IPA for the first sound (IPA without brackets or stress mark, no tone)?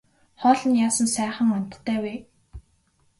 χ